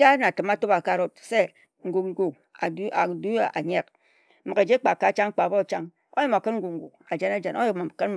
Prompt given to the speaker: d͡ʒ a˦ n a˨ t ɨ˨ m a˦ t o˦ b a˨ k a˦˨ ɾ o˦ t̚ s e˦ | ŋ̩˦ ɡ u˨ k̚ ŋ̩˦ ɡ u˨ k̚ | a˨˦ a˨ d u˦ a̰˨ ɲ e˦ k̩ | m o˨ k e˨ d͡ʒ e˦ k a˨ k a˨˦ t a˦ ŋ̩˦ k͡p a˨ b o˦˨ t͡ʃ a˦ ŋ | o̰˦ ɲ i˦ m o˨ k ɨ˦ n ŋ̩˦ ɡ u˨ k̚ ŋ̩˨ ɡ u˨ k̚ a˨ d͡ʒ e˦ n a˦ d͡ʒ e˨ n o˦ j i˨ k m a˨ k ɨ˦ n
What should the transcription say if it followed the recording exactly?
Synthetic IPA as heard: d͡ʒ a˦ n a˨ t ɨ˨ m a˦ t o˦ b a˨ k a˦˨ ɾ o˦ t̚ s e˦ | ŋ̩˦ ɡ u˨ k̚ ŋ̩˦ ɡ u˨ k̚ | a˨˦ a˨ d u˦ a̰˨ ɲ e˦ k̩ | m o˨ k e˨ d͡ʒ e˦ k͡p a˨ k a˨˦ t͡ʃ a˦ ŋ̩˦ k͡p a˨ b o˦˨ t͡ʃ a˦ ŋ | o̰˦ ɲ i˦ m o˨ k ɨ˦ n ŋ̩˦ ɡ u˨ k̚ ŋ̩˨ ɡ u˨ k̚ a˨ d͡ʒ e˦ n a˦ d͡ʒ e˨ n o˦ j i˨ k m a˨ k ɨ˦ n